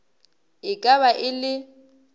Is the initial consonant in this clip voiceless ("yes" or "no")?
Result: yes